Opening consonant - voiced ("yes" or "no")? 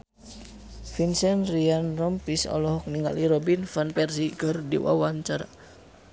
no